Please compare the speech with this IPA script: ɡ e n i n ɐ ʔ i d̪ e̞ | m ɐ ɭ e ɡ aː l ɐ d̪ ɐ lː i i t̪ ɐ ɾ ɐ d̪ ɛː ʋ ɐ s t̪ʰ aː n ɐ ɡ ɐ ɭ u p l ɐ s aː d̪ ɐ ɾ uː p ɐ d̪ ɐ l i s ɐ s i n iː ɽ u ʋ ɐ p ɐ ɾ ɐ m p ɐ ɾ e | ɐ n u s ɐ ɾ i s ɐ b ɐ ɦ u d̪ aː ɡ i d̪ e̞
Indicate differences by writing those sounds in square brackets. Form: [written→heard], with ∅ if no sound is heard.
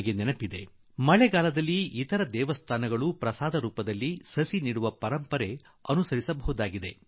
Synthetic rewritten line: ɡ e n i n ɐ [ʔ→p] i d̪ e̞ | m ɐ ɭ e ɡ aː l ɐ d̪ ɐ lː i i t̪ ɐ ɾ ɐ d̪ ɛː ʋ ɐ s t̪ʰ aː n ɐ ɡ ɐ ɭ u p [l→ɾ] ɐ s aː d̪ ɐ ɾ uː p ɐ d̪ ɐ [l→lː] i s ɐ s i n iː ɽ u ʋ ɐ p ɐ ɾ ɐ m p ɐ ɾ e | ɐ n u s ɐ ɾ i s ɐ b ɐ ɦ u d̪ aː ɡ i d̪ e̞